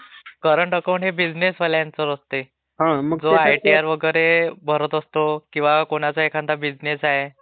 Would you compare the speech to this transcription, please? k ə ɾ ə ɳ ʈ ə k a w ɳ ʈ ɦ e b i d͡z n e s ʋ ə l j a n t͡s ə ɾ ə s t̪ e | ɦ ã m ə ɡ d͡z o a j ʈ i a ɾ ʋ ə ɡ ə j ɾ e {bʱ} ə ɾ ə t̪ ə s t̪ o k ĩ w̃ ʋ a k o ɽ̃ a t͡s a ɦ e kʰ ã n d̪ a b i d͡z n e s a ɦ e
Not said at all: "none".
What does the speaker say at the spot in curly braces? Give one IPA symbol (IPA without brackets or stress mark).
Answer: bʱ